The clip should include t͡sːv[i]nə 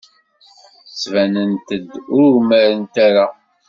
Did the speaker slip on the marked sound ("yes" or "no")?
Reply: yes